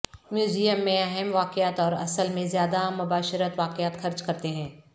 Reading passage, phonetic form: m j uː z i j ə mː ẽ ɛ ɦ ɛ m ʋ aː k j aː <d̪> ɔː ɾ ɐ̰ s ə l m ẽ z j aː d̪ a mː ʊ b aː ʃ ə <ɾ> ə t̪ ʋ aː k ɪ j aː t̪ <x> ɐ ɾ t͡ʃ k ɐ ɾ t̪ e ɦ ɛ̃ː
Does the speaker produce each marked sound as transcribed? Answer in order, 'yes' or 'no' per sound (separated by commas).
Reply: no, yes, yes